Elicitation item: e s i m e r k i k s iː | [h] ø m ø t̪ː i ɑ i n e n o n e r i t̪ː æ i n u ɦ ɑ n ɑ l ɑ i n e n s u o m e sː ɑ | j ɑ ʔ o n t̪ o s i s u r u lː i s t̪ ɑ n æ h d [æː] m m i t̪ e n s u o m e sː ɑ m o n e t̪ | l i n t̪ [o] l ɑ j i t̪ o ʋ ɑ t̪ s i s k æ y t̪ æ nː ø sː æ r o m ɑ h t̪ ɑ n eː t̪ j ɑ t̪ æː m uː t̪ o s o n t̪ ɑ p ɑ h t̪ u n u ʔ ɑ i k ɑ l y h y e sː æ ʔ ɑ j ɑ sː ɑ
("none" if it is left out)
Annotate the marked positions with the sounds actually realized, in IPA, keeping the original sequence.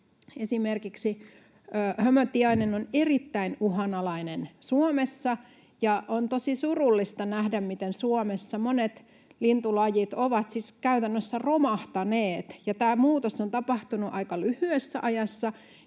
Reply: h, æ, u

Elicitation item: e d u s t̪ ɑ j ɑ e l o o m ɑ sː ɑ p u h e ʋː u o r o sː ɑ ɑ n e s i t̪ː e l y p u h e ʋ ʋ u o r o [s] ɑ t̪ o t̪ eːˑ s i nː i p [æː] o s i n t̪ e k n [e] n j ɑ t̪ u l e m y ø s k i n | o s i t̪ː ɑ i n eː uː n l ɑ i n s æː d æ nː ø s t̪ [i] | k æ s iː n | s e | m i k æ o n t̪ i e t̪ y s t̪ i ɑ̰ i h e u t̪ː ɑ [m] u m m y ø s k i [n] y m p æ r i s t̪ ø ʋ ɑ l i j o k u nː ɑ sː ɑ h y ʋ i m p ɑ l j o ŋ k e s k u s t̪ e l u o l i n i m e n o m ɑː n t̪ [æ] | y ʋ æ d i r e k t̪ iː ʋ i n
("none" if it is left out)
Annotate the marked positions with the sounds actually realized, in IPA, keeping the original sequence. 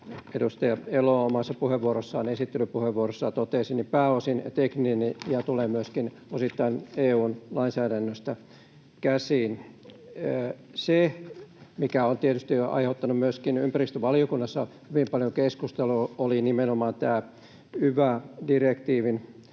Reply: sː, æː, i, æ, n, n, æː

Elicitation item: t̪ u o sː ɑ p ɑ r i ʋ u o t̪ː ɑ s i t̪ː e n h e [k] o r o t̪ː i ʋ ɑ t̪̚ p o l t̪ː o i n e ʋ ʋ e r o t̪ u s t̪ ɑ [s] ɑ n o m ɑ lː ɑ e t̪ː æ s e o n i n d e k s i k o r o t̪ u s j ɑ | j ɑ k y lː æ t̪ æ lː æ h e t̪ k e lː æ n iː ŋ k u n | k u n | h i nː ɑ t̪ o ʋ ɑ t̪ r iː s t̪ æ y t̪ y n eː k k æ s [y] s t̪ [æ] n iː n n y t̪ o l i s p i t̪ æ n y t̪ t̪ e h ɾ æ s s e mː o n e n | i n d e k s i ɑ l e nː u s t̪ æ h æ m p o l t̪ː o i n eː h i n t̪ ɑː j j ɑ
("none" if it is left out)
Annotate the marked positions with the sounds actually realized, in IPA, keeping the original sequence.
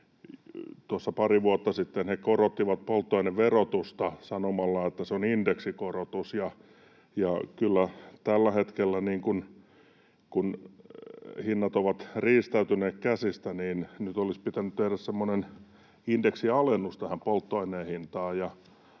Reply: k, s, i, æ

